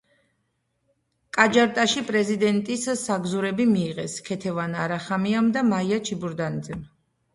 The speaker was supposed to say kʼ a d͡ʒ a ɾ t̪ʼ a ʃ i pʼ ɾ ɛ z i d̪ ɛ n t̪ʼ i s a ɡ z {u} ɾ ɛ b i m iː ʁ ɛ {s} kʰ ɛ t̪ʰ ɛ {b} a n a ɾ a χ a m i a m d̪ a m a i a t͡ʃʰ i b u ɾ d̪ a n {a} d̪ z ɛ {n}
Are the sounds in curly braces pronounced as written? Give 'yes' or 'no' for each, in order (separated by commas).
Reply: yes, yes, no, no, no